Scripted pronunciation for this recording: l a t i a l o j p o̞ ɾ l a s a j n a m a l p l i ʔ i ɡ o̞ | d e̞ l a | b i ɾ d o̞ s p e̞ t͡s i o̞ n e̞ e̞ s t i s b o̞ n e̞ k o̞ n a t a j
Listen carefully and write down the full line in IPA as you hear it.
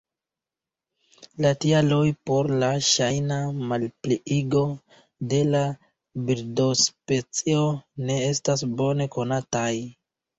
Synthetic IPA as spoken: l a t i a l o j p o̞ ɾ l a ʃ a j n a m a l p l i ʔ i ɡ o̞ | d e̞ l a | b i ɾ d o̞ s p e̞ t͡s i o̞ n e̞ e̞ s t a s b o̞ n e̞ k o̞ n a t a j

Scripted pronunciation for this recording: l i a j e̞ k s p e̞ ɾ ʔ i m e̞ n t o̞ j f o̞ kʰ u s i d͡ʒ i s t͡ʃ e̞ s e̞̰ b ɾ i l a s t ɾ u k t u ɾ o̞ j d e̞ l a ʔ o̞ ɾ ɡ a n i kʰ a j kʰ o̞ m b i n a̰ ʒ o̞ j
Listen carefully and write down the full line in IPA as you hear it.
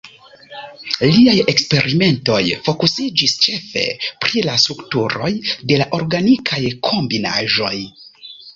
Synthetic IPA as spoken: l i a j e̞ k s p e̞ ɾ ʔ i m e̞ n t o̞ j f o̞ k u s i d͡ʒ i s t͡ʃ e̞ f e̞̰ p ɾ i l a s t ɾ u k t u ɾ o̞ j d e̞ l a ʔ o̞ ɾ ɡ a n i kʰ a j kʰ o̞ m b i n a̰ ʒ o̞ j

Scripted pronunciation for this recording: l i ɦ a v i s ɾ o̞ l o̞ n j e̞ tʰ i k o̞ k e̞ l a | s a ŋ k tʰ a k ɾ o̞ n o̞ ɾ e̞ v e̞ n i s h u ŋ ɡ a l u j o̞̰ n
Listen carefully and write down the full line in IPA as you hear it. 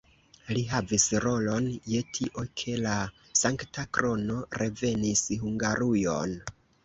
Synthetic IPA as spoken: l i ɦ a v i s ɾ o̞ l o̞ n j e̞ tʰ i ʔ o̞ kʰ e̞ l a | s a ŋ k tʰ a k ɾ o̞ n o̞ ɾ e̞ v e̞ n i s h u ŋ ɡ a ɾ u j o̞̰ n

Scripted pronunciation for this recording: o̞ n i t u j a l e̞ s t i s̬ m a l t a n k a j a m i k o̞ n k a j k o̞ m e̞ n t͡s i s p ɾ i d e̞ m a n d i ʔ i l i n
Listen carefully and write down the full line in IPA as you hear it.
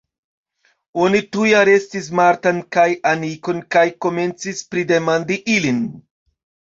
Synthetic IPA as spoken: o̞ n i t u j a ɾ e̞ s t i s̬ m a ɾ t a n k a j a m i k o̞ n k a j k o̞ m e̞ n t͡s i s p ɾ i d e̞ m a n d i ʔ i l i n

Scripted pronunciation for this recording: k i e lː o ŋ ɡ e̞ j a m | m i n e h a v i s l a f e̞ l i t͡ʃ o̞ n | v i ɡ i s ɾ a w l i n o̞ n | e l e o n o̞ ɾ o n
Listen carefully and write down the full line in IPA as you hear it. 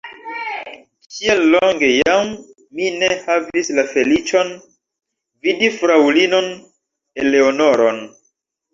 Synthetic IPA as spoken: k i e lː o ŋ ɡ e̞ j a m | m i n e h a v i s l a f e̞ l i t͡ʃ o̞ n | v i d i f ɾ a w l i n o̞ n | e l e o n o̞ ɾ o n

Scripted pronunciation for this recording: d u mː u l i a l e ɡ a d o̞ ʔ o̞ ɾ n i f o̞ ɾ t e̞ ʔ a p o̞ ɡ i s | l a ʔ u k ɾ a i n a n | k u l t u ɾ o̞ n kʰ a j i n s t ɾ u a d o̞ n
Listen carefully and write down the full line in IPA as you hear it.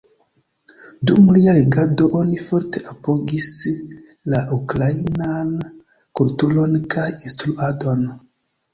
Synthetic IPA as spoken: d u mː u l i a l e ɡ a d o̞ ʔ o̞ n i f o̞ ɾ t e̞ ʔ a p o̞ ɡ i s | l a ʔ u k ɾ a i n a n | k u l t u l o̞ n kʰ a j i n s t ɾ u a d o̞ n

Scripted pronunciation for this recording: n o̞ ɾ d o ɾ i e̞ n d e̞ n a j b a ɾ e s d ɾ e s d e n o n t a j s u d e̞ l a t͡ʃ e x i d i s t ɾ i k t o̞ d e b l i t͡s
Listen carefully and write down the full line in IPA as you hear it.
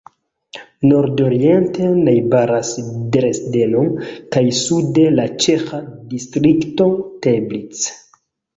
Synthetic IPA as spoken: n o̞ ɾ d o ɾ i e̞ n t e̞ n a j b a ɾ a s d ɾ e s d e n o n k a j s u d e̞ l a t͡ʃ e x a d i s t ɾ i k t o̞ t e b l i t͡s

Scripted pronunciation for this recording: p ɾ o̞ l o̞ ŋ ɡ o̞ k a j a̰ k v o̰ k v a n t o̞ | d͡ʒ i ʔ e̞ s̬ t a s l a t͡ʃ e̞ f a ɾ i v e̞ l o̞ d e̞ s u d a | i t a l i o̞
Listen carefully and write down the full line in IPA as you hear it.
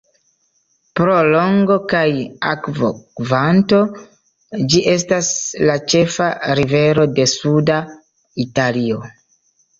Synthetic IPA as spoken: p ɾ o̞ l o̞ ŋ ɡ o̞ k a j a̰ k v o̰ k v a n t o̞ | d͡ʒ i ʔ e̞ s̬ t a s l a t͡ʃ e̞ f a ɾ i v e̞ ɾ o̞ d e̞ s u d a | i t a l i o̞

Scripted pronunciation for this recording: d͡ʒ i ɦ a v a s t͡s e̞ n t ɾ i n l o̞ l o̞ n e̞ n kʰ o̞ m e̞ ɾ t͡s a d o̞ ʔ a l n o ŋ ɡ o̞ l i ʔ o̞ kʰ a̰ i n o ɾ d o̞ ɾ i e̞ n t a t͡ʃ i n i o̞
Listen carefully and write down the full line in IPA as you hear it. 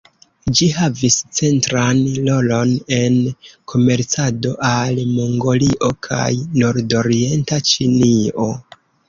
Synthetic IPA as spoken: d͡ʒ i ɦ a v i s t͡s e̞ n t ɾ a n l o̞ l o̞ n e̞ n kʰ o̞ m e̞ ɾ t͡s a d o̞ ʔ a l m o ŋ ɡ o̞ l i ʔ o̞ kʰ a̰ j n o ɾ d o̞ ɾ i e̞ n t a t͡ʃ i n i o̞

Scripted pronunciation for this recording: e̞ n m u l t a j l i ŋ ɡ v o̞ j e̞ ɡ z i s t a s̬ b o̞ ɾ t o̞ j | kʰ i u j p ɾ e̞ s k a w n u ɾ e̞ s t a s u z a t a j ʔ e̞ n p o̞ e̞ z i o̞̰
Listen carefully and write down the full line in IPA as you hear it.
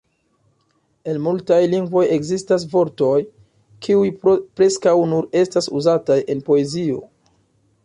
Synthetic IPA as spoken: e̞ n m u l t a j l i ŋ ɡ v o̞ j e̞ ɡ z i s t a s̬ v o̞ ɾ t o̞ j | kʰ i u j p ɾ e̞ s k a w n u ɾ e̞ s t a s u z a t a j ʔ e̞ n p o̞ e̞ z i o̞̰

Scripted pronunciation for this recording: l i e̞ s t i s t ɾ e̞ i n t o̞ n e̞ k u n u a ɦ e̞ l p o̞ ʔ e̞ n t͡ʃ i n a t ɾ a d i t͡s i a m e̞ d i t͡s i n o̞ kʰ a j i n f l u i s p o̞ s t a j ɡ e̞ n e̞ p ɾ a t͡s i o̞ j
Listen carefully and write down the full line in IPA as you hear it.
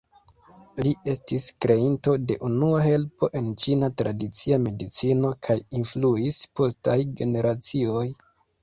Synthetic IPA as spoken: l i e̞ s t i s k ɾ e̞ i n t o̞ d e̞ ʔ u n u a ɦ e̞ l p o̞ ʔ e̞ n t͡ʃ i n a t ɾ a d i t͡s i a m e̞ d i t͡s i n o̞ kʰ a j i n f l u i s p o̞ s t a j ɡ e̞ n e̞ ɾ a t͡s i o̞ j

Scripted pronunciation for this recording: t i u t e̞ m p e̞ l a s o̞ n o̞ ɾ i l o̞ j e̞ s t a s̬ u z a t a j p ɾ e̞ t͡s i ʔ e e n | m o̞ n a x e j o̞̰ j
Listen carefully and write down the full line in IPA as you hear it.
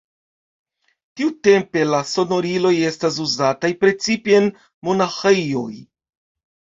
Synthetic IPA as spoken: t i u t e̞ m p e̞ l a s o̞ n o̞ ɾ i l o̞ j e̞ s t a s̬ u z a t a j p ɾ e̞ t͡s i p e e n | m o̞ n a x e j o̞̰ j

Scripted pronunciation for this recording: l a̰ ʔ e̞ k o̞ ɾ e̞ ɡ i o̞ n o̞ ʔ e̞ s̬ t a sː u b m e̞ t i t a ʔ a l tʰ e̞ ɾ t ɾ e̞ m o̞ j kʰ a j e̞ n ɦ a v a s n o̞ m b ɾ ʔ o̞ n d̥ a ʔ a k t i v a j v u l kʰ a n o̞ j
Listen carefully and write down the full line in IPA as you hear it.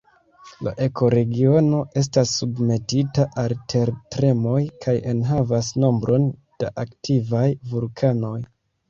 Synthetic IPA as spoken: l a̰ ʔ e̞ k o̞ ɾ e̞ ɡ i o̞ n o̞ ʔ e̞ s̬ t a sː u b m e̞ t i t a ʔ a l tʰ e̞ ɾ t ɾ e̞ m o̞ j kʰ a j e̞ n ɦ a v a s n o̞ m b ɾ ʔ o̞ n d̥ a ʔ a k t i v a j v u l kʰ a n o̞ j

